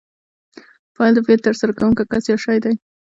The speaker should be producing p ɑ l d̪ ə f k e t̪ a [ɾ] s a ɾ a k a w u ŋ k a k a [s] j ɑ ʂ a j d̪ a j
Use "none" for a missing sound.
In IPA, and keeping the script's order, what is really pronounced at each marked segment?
ɾ, s

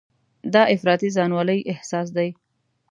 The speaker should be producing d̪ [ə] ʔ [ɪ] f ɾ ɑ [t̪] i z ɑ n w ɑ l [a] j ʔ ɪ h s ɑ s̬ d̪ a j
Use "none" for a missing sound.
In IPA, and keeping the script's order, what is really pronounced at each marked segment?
ɑ, ɪ, t̪, ə

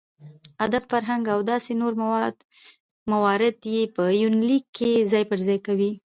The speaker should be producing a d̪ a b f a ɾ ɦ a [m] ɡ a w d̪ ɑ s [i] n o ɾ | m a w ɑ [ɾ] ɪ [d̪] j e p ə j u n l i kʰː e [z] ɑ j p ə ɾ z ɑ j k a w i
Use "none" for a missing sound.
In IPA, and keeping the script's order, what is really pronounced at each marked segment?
ŋ, e, ɾ, d̪, z

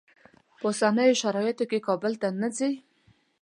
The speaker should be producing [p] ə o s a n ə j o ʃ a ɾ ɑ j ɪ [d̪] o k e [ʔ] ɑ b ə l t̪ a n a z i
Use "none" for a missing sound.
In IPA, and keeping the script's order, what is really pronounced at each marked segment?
p, t̪, k

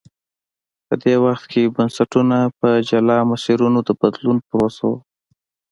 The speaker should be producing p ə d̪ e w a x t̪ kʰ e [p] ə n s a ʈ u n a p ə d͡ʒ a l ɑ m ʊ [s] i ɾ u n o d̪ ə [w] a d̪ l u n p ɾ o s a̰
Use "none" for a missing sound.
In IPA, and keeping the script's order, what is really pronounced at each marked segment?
b, s, b

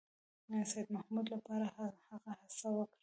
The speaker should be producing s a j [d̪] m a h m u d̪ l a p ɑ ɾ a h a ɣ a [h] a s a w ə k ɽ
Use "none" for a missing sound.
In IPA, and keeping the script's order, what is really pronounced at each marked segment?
d̪, h

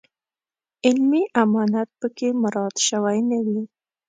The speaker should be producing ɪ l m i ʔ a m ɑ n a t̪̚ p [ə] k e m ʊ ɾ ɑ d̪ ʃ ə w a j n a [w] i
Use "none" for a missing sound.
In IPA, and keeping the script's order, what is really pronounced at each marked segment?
ə, w

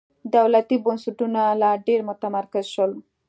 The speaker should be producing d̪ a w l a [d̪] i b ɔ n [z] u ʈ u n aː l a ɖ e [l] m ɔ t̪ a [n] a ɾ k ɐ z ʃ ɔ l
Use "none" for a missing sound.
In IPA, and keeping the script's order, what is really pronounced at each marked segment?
t̪, s, ɾ, m

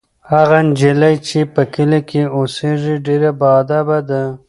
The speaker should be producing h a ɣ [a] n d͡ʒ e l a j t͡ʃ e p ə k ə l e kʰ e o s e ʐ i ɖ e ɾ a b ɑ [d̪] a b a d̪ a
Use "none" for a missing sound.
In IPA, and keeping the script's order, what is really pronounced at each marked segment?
a, d̪

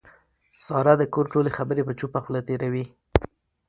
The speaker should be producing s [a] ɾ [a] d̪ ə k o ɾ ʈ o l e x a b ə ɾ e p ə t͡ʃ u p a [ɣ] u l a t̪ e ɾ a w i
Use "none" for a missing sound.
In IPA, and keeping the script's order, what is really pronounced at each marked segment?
ɑ, a, x

